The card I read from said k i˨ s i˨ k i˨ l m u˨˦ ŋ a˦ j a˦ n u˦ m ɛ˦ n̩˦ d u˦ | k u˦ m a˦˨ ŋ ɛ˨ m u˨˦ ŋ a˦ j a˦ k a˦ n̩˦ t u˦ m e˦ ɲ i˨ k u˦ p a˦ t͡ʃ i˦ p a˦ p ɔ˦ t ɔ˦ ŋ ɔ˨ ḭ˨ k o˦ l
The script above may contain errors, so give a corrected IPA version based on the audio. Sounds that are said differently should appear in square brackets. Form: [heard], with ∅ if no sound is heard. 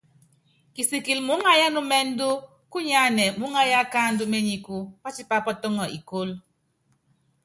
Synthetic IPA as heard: k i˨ s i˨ k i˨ l m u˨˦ ŋ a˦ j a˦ n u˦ m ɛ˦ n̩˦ d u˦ | k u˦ [ɲ] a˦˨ [n] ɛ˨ m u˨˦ ŋ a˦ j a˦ k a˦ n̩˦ [d] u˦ m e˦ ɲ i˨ k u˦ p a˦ t͡ʃ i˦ p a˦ p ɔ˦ t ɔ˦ ŋ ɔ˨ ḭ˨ k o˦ l